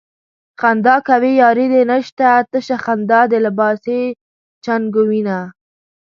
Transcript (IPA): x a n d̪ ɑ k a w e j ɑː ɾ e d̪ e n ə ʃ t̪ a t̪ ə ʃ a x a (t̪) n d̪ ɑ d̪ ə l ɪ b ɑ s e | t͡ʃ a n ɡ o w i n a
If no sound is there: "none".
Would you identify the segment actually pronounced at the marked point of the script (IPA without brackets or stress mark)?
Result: none